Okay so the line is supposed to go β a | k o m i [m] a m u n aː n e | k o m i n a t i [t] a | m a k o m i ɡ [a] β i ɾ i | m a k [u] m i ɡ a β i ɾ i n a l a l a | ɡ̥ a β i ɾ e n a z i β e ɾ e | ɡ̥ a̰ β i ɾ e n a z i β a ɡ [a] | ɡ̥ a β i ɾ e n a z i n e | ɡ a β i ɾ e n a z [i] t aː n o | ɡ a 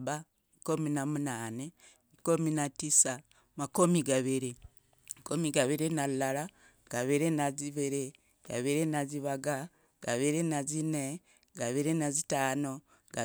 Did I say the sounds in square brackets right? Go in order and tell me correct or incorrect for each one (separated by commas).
incorrect, incorrect, correct, incorrect, correct, correct